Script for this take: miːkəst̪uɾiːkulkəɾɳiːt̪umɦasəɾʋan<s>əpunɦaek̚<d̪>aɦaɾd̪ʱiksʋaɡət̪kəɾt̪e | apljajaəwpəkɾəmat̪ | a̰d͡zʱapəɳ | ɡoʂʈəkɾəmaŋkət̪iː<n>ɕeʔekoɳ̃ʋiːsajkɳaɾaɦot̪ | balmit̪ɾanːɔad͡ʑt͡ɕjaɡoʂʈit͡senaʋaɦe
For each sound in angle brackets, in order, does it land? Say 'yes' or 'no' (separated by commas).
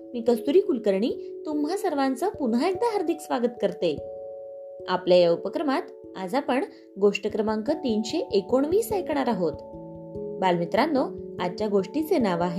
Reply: no, yes, yes